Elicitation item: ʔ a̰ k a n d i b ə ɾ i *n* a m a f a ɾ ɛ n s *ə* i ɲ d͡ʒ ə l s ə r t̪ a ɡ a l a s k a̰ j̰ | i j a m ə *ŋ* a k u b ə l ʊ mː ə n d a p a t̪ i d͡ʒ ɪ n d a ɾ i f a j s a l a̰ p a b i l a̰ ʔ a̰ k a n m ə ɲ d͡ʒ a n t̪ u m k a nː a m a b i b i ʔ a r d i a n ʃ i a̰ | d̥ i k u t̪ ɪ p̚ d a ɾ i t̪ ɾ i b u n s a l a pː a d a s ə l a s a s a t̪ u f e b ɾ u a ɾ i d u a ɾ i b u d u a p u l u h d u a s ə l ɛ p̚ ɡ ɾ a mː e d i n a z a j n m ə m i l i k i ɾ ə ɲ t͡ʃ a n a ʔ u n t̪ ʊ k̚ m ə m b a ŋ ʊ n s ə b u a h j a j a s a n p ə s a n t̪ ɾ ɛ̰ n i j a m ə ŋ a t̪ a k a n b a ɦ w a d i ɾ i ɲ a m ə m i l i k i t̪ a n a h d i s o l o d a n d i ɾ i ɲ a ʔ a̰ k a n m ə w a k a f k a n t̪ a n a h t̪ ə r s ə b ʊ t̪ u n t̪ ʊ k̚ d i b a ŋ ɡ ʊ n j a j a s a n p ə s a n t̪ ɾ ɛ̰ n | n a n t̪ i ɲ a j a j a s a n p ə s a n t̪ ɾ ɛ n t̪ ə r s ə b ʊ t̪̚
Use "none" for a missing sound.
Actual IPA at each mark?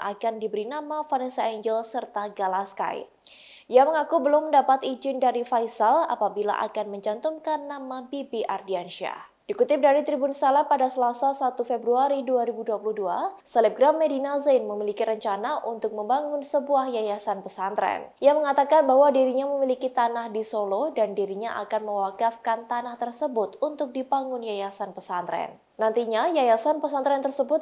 n, a, ŋ

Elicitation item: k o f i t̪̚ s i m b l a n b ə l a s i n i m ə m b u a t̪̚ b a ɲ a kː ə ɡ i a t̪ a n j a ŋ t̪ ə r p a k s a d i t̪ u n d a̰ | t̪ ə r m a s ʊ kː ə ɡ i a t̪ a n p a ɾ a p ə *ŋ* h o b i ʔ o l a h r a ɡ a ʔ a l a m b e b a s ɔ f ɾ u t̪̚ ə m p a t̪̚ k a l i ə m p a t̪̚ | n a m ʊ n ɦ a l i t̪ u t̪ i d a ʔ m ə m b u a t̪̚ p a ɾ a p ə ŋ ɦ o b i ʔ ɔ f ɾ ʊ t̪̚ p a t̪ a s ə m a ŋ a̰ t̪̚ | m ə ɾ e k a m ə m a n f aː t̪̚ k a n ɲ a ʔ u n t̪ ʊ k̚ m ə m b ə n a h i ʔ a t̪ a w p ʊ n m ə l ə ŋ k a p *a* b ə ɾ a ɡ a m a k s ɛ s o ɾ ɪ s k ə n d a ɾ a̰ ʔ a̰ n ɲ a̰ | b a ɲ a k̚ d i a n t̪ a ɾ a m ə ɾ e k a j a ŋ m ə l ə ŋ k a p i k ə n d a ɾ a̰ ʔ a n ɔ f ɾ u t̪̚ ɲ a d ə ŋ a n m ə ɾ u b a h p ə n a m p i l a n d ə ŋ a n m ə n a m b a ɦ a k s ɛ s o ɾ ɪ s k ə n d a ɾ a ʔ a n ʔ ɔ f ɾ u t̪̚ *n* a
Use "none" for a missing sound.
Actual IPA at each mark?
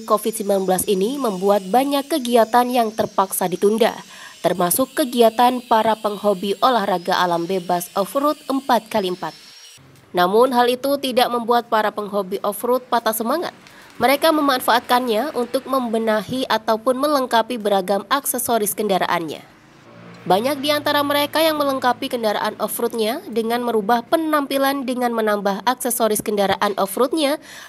ŋ, i, ɲ

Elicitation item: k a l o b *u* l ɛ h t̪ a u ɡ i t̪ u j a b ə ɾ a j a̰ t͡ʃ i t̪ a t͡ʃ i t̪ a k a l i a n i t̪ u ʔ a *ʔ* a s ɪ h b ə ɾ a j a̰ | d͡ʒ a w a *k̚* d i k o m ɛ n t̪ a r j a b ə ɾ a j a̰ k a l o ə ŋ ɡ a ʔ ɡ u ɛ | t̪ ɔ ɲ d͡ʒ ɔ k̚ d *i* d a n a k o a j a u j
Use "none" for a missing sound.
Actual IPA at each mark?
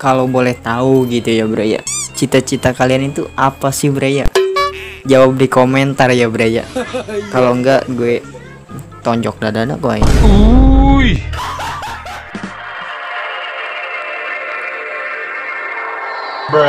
o, p, p̚, a

